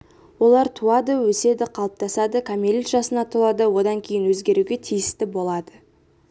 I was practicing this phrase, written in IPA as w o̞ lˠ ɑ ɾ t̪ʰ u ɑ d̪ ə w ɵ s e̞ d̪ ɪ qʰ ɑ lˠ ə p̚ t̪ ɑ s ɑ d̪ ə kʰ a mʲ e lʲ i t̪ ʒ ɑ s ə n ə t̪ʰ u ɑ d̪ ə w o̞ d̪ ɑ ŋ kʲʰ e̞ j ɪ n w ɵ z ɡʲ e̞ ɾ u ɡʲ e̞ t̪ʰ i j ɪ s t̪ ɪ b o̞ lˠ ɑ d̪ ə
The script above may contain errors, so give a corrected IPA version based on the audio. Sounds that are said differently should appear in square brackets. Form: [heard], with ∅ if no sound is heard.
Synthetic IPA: w o̞ lˠ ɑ ɾ t̪ʰ u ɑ d̪ ə w ɵ s e̞ d̪ ɪ qʰ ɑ lˠ ə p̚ t̪ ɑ s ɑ d̪ ə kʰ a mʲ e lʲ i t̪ ʒ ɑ s ə n [ɑ] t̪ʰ u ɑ d̪ ə w o̞ d̪ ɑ ŋ kʲʰ e̞ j ɪ n w ɵ z ɡʲ e̞ ɾ u ɡʲ e̞ t̪ʰ i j ɪ s t̪ ɪ b o̞ lˠ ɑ d̪ ə